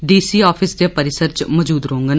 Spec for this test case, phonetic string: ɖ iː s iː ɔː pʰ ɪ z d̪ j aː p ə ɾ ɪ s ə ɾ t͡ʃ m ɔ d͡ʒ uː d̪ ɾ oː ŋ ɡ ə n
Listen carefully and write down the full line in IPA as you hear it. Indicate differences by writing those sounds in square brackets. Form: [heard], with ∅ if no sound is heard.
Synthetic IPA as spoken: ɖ iː s iː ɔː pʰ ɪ [s] d̪ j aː p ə ɾ ɪ s ə ɾ t͡ʃ m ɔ d͡ʒ uː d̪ ɾ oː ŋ ɡ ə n